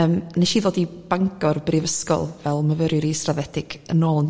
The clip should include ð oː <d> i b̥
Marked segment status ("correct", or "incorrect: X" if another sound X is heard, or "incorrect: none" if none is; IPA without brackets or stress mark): correct